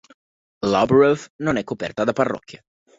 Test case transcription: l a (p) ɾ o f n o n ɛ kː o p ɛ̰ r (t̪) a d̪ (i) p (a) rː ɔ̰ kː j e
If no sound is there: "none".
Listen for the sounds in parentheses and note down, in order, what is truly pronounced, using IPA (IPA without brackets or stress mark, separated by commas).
b, t̪, a, a